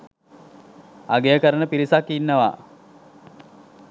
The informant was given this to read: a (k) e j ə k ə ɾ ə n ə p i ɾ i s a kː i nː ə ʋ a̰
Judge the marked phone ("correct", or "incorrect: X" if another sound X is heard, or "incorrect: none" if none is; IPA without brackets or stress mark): incorrect: ɡ